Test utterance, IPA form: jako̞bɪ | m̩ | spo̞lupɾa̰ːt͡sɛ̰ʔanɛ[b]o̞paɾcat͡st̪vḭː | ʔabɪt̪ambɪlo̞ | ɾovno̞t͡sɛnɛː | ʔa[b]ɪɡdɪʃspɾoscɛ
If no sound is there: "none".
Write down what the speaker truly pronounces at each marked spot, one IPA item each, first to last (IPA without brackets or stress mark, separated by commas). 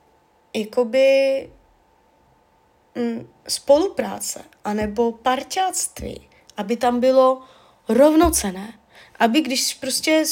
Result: b, b